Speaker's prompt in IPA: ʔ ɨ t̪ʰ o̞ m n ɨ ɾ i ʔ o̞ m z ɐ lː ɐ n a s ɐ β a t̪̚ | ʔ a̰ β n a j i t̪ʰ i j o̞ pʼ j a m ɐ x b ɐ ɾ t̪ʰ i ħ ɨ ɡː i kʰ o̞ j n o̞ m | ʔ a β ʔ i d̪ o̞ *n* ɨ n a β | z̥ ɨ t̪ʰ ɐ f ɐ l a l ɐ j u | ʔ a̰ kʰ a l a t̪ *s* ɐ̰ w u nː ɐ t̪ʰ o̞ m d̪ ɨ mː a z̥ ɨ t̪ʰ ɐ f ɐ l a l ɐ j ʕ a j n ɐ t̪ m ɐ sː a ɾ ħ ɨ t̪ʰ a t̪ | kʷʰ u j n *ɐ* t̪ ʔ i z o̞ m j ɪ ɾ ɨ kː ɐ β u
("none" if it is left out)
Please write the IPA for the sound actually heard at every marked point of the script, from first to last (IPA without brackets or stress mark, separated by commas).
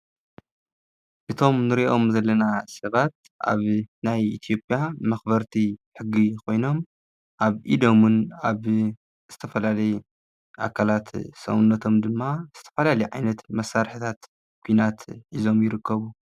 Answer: m, s, a